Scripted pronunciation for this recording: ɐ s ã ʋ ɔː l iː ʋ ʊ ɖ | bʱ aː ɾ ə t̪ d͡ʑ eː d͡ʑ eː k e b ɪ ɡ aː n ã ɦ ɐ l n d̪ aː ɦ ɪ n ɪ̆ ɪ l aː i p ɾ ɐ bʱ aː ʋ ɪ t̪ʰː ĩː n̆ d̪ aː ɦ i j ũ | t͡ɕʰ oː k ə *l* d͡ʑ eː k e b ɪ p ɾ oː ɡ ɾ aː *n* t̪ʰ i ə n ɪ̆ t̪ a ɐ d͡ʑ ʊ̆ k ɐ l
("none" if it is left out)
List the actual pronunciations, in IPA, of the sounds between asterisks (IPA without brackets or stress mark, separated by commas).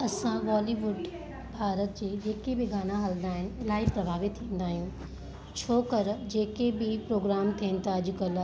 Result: ɾ, m